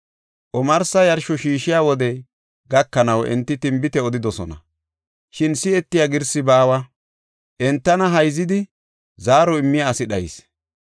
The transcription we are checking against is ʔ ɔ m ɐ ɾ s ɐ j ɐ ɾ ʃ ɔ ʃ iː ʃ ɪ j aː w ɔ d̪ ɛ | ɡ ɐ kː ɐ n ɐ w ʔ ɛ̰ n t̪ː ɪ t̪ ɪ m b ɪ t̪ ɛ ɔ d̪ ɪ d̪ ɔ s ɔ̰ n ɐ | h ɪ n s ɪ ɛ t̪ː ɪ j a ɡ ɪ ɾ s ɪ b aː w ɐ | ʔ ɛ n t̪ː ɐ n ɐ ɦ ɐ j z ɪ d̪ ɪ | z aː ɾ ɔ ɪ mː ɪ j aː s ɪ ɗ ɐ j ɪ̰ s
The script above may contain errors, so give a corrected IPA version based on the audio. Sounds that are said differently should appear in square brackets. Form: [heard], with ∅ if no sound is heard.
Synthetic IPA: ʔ ɔ m ɐ ɾ s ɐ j ɐ ɾ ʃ ɔ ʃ iː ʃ ɪ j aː w ɔ d̪ ɛ | ɡ ɐ kː ɐ n ɐ w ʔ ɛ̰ n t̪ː ɪ t̪ ɪ m b ɪ t̪ ɛ ɔ d̪ ɪ d̪ ɔ s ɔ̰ n ɐ | [ʃ] ɪ n s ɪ ɛ t̪ː ɪ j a ɡ ɪ ɾ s ɪ b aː w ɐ | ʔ ɛ n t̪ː ɐ n ɐ ɦ ɐ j z ɪ d̪ ɪ | z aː ɾ ɔ ɪ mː ɪ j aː s ɪ ɗ ɐ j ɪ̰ s